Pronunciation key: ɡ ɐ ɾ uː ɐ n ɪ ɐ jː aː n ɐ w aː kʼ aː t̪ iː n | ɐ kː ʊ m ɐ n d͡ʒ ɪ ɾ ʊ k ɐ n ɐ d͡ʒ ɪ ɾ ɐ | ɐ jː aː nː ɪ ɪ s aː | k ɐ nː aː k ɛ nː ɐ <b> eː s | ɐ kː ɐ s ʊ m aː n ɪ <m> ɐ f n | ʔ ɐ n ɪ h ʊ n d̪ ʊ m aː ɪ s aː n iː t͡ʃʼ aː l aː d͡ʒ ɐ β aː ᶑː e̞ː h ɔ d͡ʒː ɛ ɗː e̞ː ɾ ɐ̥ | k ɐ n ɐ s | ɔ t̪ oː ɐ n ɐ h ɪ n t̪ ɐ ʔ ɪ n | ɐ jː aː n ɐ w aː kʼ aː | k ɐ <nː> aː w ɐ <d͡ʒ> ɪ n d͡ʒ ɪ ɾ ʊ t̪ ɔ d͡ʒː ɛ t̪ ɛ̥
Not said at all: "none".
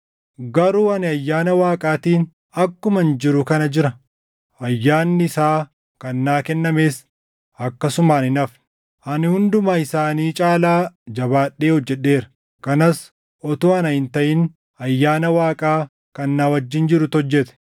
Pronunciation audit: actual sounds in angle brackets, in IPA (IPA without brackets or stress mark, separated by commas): m, n, nː, d͡ʒː